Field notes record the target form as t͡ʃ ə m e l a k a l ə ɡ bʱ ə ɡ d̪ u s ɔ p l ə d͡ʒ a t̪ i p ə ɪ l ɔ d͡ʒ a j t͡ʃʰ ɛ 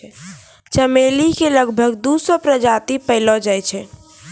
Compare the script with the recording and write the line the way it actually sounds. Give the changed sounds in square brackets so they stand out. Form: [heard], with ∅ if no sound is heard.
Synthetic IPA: t͡ʃ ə m e l [i] k [e] l ə ɡ bʱ ə ɡ d̪ u s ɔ p [ɾ] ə d͡ʒ a t̪ i p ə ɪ l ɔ d͡ʒ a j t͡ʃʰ ɛ